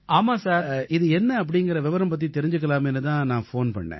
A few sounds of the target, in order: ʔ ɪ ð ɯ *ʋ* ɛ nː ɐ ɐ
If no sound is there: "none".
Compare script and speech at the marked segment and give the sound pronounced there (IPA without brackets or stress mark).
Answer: none